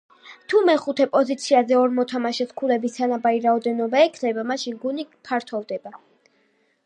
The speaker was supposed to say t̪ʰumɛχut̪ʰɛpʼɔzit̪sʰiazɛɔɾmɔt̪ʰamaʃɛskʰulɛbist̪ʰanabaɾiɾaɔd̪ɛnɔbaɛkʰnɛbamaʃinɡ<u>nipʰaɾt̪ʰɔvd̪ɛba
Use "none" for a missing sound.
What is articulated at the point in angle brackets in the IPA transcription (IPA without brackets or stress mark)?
u